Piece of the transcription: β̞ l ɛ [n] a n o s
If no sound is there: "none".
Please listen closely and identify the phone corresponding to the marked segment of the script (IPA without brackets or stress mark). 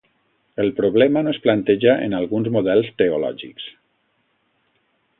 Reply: m